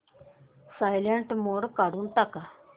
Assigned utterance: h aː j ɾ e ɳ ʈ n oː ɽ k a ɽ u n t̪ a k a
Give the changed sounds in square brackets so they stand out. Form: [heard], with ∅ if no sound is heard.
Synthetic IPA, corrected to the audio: [s] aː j [l] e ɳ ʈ [m] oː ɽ k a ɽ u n t̪ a k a